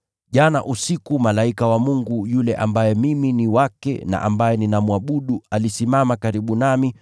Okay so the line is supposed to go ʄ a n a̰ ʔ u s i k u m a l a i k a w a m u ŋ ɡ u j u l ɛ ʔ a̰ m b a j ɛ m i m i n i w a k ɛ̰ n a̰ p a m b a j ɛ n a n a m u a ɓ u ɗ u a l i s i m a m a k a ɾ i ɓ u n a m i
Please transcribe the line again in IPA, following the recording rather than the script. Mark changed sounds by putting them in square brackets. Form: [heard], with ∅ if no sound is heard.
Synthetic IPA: ʄ a n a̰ ʔ u s i k u m a l a i k a w a m u ŋ ɡ u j u l ɛ ʔ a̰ m b a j ɛ m i m i n i w a k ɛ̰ n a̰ [ʔ] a m b a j ɛ n [i] n a m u a ɓ u ɗ u a l i s i m a m a k a ɾ i ɓ u n a m i